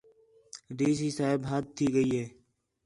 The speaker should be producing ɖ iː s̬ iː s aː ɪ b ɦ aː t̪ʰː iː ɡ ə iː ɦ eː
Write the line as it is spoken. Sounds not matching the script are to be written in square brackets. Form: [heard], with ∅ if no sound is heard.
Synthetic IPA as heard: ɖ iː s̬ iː s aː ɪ b ɦ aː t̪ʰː iː ɡ ə iː ɦ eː